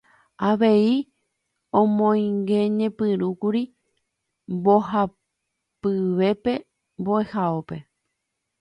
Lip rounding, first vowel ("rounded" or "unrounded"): unrounded